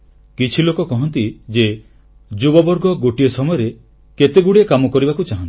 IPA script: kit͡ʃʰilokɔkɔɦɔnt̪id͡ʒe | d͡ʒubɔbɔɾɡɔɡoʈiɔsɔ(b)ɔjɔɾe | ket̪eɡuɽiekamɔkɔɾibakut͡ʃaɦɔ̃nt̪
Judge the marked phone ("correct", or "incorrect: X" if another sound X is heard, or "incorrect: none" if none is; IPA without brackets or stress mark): incorrect: m